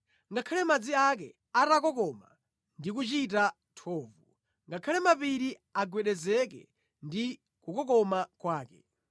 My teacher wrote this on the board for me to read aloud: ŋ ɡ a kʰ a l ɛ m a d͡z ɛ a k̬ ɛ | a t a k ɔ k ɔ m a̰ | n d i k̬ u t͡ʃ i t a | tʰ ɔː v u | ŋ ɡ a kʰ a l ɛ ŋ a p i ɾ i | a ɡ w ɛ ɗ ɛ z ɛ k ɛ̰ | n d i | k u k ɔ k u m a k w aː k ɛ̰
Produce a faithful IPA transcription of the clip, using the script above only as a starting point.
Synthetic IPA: ŋ ɡ a kʰ a l ɛ m a d͡z i a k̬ ɛ | a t a k ɔ k ɔ m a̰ | n d i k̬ u t͡ʃ i t a | tʰ ɔː v u | ŋ ɡ a kʰ a l ɛ m a p i ɾ i | a ɡ w ɛ ɗ ɛ z ɛ k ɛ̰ | n d i | k u k ɔ k ɔ m a k w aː k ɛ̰